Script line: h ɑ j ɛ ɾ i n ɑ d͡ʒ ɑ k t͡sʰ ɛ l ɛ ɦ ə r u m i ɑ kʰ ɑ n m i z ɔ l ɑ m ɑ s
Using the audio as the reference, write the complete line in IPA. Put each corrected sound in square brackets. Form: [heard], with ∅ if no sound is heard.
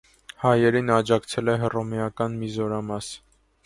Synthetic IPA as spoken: h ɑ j ɛ ɾ i n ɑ d͡ʒ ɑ k t͡sʰ ɛ l ɛ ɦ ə r [ɔ] m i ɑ [k] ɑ n m i z ɔ [ɾ] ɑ m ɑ s